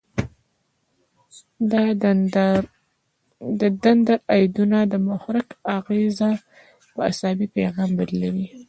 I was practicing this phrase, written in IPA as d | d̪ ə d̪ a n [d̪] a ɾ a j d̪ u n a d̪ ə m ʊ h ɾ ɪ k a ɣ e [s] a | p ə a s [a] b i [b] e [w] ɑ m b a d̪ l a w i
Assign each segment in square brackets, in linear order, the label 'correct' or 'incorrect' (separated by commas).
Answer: correct, incorrect, incorrect, incorrect, incorrect